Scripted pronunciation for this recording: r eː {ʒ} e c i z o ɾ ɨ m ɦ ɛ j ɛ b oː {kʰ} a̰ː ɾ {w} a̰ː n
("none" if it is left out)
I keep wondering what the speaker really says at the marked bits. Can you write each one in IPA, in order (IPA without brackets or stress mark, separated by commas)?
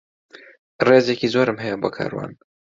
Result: z, kʰ, w